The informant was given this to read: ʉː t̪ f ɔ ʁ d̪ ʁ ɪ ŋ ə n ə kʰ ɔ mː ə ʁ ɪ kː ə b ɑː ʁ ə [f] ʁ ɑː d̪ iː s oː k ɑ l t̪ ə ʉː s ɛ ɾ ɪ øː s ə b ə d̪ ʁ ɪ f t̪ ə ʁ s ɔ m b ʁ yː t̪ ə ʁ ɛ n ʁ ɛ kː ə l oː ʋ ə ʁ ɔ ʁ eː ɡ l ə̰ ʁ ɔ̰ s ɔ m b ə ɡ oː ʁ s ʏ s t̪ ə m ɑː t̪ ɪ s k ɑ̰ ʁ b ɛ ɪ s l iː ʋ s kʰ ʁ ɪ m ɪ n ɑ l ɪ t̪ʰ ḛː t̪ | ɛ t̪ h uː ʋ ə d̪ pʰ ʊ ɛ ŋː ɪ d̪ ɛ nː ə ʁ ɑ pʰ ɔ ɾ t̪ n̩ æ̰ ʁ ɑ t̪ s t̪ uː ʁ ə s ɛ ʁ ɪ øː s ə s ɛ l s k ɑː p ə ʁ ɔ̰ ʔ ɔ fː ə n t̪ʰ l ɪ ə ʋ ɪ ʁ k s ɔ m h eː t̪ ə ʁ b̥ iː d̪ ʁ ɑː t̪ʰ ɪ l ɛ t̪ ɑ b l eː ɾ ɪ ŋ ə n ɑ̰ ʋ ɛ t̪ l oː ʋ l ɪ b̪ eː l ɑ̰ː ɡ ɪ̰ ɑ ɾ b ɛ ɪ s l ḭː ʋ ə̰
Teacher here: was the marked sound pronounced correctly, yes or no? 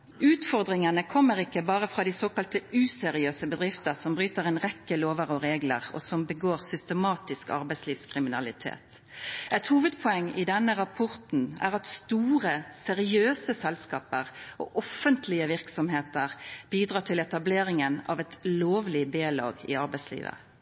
yes